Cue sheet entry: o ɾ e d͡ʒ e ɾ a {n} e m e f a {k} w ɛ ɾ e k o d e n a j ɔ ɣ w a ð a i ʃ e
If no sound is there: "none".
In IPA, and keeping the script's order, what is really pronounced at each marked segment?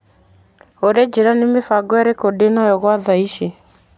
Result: n, ɡ

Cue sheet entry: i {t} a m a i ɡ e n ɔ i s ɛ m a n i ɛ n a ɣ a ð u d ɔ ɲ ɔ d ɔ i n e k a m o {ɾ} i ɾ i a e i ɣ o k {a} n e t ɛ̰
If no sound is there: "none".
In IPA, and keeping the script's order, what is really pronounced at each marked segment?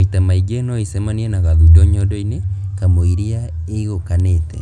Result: t, none, a

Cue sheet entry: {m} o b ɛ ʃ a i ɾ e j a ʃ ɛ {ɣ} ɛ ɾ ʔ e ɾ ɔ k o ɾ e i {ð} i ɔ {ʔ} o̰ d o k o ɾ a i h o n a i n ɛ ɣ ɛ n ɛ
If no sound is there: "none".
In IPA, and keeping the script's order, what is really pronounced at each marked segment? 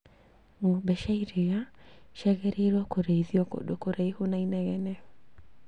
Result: ŋ, ɣ, ð, k

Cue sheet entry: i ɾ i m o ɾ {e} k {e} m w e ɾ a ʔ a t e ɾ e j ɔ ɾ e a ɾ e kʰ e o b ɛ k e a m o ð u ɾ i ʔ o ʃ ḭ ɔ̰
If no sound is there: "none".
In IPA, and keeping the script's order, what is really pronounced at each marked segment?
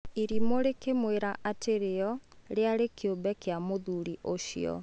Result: e, e

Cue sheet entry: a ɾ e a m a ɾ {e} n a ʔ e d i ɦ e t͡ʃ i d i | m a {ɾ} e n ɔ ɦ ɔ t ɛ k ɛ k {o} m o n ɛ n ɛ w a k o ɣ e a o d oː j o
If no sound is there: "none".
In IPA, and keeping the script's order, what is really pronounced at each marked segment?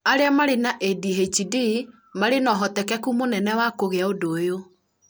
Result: e, ɾ, u

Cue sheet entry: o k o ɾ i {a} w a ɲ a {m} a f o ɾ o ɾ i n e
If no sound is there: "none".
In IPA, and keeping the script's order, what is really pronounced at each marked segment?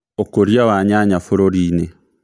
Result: a, ɲ

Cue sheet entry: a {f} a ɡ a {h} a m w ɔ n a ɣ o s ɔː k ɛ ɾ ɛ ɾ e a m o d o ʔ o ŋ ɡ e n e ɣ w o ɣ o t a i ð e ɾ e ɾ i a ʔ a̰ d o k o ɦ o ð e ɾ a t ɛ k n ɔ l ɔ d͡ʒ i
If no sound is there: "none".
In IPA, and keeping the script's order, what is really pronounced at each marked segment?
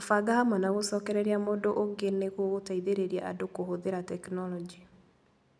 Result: f, h

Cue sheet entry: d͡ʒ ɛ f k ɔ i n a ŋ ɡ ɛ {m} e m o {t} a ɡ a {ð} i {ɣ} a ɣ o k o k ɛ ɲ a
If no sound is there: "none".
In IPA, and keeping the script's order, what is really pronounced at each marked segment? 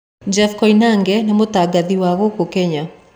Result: n, t, ð, w

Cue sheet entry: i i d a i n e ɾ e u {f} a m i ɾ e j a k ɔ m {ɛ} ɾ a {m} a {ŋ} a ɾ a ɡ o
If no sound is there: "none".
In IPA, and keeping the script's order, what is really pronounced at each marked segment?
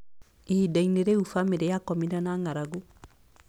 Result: f, i, n, ŋ

